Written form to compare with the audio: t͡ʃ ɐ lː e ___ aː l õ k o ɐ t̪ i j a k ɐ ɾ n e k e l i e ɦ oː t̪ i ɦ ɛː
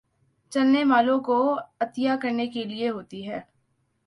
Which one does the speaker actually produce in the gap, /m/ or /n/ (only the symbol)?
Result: m